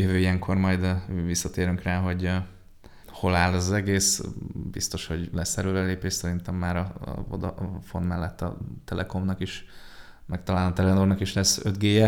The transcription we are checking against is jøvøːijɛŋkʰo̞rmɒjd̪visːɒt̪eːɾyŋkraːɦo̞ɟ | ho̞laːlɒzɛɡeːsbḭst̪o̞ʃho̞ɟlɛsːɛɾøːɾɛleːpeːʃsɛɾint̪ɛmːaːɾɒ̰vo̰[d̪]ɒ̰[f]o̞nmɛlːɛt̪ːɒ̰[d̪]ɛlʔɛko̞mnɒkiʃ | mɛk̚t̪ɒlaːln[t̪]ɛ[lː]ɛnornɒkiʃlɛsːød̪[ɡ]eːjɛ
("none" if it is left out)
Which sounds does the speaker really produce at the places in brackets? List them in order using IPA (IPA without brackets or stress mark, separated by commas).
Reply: d̪, f, t̪, t̪, l, ɡ